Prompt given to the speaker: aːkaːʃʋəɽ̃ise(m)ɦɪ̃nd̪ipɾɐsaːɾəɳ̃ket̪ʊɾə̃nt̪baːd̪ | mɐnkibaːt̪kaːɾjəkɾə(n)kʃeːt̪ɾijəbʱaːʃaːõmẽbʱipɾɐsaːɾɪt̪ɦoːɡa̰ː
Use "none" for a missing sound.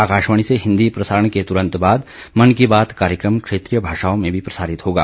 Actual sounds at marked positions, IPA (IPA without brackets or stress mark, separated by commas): none, m